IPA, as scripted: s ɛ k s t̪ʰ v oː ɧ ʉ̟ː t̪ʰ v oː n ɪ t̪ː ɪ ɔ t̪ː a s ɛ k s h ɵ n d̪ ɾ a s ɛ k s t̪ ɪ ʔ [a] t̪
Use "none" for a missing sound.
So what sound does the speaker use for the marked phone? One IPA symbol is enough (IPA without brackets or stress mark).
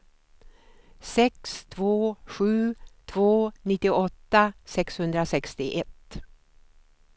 ɛ